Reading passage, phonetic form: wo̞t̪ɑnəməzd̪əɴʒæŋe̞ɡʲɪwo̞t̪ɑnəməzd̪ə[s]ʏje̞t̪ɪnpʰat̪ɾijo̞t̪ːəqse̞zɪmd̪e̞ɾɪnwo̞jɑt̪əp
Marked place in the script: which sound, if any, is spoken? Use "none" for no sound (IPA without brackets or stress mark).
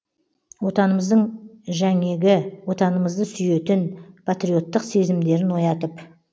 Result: s